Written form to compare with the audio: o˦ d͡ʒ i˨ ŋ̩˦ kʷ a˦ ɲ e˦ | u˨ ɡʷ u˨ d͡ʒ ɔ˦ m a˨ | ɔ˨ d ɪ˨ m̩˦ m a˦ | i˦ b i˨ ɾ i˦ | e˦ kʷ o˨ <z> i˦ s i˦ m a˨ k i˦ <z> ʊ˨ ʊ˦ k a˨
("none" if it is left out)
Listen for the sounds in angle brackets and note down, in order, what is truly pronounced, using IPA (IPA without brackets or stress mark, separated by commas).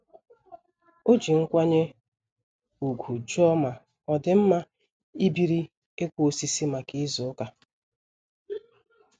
s, z